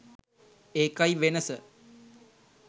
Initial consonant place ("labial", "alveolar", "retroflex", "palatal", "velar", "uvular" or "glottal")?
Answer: velar